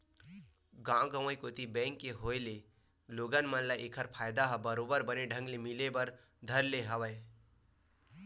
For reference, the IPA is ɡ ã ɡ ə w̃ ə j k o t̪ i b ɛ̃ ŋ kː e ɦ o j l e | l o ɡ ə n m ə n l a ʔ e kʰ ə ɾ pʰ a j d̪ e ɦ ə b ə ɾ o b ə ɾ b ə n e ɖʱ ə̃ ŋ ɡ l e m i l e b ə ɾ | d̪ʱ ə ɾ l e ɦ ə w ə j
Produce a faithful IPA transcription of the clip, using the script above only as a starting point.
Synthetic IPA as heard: ɡ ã ɡ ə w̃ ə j k o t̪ i b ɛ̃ ŋ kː e ɦ o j l e | l o ɡ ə n m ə n l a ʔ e kʰ ə ɾ pʰ a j d̪ a ɦ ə b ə ɾ o b ə ɾ b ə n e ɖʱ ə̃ ŋ ɡ l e m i l e b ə ɾ | d̪ʱ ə ɾ l e ɦ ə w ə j